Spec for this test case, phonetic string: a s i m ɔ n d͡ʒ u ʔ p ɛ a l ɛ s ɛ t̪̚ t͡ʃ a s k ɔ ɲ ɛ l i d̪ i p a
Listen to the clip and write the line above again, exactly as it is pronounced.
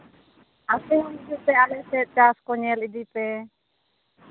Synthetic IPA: a s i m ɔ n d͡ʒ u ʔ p ɛ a l ɛ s ɛ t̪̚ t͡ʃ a s k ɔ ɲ ɛ l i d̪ i p ɛ

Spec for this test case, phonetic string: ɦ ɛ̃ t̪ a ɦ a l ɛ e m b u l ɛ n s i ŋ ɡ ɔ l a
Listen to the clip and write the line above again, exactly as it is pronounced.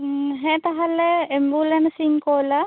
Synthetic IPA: ɦ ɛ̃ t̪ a ɦ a l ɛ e m b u l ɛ n s i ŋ k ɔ l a

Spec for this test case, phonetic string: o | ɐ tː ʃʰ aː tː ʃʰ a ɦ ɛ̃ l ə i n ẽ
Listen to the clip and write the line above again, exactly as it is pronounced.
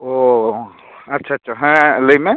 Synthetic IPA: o | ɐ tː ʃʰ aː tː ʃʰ a ɦ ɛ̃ l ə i m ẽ

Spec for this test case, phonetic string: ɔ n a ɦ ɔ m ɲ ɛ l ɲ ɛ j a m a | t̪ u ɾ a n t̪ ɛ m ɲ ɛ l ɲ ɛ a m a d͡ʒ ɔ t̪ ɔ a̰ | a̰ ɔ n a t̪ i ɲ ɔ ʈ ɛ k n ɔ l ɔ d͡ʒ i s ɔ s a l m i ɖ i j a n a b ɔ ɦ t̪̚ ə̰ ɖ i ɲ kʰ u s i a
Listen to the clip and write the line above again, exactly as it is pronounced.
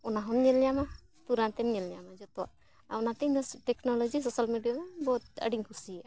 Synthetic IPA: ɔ n a ɦ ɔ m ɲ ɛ l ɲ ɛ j a m a | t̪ u ɾ a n t̪ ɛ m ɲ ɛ l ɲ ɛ a m a d͡ʒ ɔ t̪ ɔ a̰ | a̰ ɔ n a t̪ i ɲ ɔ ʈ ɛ k n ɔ l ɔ d͡ʒ i s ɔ s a l m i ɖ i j a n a b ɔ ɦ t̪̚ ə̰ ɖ i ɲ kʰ u s i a

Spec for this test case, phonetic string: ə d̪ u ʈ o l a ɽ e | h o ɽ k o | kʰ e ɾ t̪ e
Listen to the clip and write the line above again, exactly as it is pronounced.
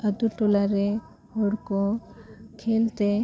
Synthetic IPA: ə d̪ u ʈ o l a ɾ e | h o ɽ k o | kʰ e l t̪ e

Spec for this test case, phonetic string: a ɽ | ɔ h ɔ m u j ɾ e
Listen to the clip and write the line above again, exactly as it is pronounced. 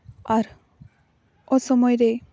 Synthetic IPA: a ɾ | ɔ s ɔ m ɔ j ɾ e

